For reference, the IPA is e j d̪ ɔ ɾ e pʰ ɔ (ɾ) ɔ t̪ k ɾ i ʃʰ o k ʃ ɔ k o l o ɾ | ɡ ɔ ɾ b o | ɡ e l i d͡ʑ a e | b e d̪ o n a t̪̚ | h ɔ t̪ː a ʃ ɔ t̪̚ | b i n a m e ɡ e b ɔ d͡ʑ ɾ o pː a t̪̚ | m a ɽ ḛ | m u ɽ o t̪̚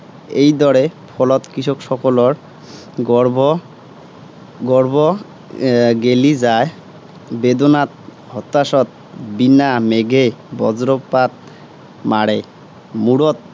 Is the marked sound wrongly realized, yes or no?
yes